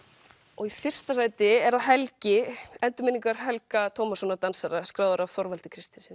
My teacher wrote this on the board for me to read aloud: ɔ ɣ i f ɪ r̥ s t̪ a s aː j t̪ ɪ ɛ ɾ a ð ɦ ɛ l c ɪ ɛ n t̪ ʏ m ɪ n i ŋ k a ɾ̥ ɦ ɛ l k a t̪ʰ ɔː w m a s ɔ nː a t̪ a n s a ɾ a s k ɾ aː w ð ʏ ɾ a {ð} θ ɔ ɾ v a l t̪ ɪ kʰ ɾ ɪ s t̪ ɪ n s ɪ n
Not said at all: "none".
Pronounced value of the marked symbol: v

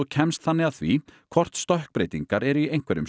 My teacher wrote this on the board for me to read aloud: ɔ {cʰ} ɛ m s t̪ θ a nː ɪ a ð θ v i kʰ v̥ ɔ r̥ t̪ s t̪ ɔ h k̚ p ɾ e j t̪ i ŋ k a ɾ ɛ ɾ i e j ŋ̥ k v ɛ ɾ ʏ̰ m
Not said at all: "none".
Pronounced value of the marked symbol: cʰ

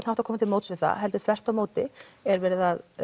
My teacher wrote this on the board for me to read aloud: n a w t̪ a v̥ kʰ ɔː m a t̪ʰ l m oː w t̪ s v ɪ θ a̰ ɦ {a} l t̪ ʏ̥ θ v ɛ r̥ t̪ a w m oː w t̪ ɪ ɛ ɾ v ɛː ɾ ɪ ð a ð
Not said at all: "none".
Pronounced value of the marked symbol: ɛ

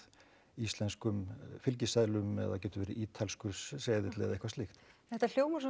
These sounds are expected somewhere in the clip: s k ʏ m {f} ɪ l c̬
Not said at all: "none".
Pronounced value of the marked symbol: f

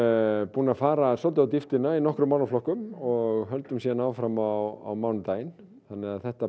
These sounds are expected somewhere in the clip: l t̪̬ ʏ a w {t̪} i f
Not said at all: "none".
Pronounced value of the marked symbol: t̪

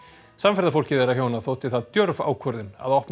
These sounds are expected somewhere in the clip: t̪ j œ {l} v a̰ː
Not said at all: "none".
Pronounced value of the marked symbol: ɾ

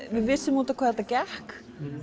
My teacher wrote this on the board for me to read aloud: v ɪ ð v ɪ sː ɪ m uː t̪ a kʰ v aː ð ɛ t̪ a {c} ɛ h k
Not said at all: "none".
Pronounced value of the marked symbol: c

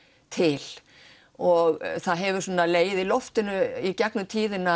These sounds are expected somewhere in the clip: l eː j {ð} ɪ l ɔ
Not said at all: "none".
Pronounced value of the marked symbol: ð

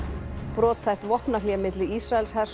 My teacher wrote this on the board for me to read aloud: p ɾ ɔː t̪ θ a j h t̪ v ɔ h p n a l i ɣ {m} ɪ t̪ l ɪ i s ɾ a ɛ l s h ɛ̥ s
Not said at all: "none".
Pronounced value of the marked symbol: m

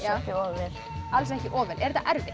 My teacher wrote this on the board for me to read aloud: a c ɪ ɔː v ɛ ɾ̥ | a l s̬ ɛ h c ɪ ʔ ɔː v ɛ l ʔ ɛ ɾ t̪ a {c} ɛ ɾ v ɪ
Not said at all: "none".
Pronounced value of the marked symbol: ʔ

